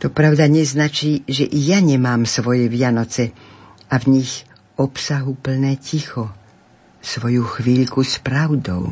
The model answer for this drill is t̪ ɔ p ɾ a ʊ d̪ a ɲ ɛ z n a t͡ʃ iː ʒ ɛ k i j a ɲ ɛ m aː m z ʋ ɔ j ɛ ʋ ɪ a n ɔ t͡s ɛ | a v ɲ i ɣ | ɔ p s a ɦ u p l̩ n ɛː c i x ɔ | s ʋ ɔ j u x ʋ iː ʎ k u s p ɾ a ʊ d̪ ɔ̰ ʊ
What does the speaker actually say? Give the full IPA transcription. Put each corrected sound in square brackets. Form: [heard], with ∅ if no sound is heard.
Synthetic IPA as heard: t̪ ɔ p ɾ a ʊ d̪ a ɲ ɛ z n a t͡ʃ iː ʒ ɛ [ʔ] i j a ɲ ɛ m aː m [s] ʋ ɔ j ɛ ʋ ɪ a n ɔ t͡s ɛ | a v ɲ i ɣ | ɔ p s a ɦ u p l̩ n ɛː c i x ɔ | s ʋ ɔ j u x ʋ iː ʎ k u s p ɾ a ʊ d̪ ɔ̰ ʊ